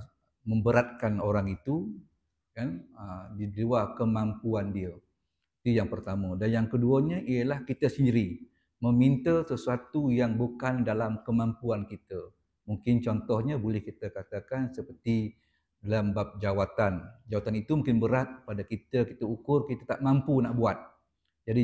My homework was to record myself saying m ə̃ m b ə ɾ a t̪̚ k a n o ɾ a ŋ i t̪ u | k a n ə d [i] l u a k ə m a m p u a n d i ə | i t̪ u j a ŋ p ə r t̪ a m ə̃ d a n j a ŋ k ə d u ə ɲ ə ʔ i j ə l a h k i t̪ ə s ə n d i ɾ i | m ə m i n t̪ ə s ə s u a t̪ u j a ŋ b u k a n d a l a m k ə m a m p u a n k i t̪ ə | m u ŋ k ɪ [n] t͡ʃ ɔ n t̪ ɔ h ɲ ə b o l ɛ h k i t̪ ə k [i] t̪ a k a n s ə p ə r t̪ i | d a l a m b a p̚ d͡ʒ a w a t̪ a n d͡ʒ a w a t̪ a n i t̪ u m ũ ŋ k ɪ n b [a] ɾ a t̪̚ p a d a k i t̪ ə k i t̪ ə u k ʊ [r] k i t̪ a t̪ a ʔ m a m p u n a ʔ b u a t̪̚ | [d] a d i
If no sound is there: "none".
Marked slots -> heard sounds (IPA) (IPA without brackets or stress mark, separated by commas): i, n, a, ə, r, d͡ʒ